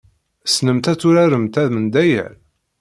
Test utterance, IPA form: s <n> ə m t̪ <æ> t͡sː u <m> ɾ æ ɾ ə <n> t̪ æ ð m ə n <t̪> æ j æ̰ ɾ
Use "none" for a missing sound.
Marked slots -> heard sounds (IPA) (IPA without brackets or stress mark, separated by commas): n, æ, none, m, d̪